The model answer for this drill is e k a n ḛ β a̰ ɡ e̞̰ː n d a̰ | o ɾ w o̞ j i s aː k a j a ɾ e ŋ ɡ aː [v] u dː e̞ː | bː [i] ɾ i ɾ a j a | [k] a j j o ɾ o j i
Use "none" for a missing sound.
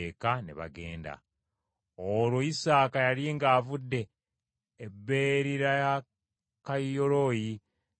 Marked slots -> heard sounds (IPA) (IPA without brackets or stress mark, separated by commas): v, e, k